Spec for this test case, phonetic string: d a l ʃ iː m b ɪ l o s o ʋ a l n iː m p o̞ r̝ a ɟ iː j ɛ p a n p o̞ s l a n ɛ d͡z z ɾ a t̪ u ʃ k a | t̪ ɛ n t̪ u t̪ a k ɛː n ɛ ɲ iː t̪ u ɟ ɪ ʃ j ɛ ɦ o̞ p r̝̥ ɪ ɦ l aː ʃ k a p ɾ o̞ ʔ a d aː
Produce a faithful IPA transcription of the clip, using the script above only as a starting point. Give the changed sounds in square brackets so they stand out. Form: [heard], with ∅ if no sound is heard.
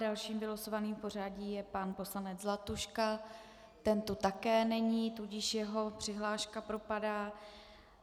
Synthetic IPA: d a l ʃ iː m b ɪ l o s o [v] a [∅] n iː m p o̞ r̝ a ɟ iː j ɛ p a n p o̞ s l a n ɛ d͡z z [l] a t̪ u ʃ k a | t̪ ɛ n t̪ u t̪ a k ɛː n ɛ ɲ iː t̪ u ɟ ɪ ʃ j ɛ ɦ o̞ p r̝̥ ɪ ɦ l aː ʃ k a p ɾ o̞ [p] a d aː